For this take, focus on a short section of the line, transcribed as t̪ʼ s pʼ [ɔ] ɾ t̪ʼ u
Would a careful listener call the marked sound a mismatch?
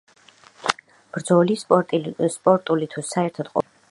no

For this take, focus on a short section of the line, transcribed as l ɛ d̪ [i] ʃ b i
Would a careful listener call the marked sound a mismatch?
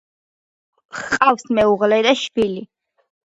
yes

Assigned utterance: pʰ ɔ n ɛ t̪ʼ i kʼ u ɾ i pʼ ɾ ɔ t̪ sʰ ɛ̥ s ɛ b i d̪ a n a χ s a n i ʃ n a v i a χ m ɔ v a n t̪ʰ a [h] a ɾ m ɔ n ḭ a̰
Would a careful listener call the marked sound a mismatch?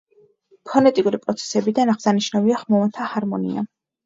no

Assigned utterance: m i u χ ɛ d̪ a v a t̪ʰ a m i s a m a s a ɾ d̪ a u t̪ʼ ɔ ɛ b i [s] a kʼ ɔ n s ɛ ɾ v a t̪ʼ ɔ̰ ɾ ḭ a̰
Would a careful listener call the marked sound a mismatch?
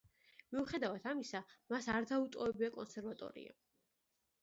yes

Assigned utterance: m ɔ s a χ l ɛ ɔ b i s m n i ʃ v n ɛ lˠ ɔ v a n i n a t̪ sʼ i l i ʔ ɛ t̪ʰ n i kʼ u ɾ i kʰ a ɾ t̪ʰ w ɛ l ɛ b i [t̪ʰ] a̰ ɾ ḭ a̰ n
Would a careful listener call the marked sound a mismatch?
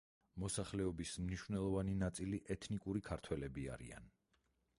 yes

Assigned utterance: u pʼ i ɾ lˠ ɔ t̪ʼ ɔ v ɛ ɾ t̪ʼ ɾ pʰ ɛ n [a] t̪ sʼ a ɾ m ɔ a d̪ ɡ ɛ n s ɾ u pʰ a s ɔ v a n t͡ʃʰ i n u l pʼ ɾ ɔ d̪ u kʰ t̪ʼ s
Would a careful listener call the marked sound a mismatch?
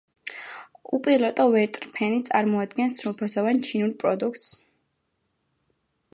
yes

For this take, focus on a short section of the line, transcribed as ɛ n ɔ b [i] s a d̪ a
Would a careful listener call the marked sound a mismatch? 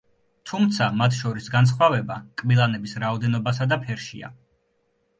yes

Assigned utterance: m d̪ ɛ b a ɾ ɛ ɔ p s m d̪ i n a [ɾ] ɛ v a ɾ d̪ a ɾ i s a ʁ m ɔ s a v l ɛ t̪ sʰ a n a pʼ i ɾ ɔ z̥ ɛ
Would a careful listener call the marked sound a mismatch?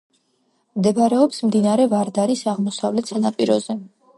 no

